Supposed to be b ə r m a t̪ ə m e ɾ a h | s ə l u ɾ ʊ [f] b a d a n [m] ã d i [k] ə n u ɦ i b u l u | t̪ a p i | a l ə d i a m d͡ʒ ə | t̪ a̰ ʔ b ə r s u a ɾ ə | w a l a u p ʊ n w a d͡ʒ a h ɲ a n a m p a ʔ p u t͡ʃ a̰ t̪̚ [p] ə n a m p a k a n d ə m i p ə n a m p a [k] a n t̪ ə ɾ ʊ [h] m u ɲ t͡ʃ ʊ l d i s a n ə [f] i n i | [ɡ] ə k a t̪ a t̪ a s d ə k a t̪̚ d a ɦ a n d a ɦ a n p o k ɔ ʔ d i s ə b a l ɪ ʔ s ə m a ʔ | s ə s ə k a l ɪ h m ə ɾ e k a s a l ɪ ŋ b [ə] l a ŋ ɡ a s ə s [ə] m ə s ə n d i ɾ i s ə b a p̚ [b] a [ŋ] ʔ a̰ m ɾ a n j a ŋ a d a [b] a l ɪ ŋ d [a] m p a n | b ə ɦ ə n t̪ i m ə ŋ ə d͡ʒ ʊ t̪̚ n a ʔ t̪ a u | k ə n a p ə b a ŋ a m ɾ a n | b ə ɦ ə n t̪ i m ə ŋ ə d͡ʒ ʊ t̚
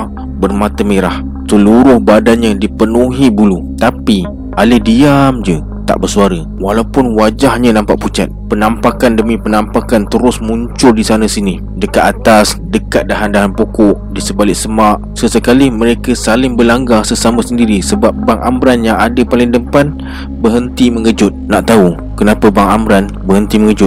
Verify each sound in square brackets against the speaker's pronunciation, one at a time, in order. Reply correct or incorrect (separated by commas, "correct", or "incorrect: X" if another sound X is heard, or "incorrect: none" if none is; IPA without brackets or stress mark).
incorrect: h, incorrect: ɲ, incorrect: p, correct, correct, incorrect: s, incorrect: s, incorrect: d, correct, incorrect: a, correct, correct, incorrect: p, incorrect: ə